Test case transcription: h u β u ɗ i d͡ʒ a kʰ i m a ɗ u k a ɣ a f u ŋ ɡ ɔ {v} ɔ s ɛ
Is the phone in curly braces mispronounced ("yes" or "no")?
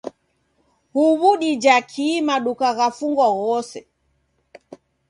yes